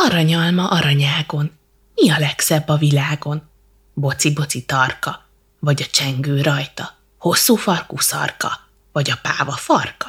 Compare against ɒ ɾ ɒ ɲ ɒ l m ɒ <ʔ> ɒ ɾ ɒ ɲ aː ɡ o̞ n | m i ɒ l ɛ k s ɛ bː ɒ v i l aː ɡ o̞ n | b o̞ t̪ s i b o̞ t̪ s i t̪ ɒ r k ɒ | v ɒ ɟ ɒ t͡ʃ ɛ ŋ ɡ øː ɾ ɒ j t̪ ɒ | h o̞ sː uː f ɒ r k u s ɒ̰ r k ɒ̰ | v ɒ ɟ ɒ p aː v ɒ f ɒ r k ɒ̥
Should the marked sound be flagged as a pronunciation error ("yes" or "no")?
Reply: no